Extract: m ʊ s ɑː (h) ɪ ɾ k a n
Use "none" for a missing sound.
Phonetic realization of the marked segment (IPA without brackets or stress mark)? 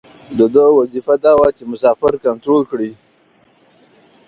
f